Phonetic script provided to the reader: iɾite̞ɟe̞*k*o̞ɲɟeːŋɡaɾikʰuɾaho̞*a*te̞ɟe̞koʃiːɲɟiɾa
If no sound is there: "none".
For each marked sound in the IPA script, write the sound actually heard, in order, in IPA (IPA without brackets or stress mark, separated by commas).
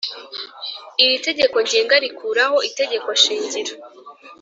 k, i